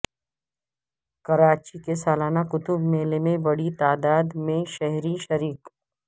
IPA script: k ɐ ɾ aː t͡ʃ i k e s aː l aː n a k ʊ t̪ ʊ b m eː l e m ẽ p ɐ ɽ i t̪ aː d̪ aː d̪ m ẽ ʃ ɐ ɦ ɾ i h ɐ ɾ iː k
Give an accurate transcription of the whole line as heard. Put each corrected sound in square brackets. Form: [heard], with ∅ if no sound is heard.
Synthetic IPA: k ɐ ɾ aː t͡ʃ i k e s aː l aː n a k ʊ t̪ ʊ b m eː l e m ẽ [b] ɐ ɽ i t̪ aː d̪ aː d̪ m ẽ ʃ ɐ ɦ ɾ i [ʃ] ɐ ɾ iː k